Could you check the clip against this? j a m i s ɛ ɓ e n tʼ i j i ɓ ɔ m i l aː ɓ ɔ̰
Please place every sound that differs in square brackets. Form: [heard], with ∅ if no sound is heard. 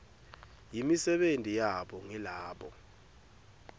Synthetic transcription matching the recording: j [i] m i s ɛ ɓ e n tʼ i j [a] ɓ ɔ [ŋ] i l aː ɓ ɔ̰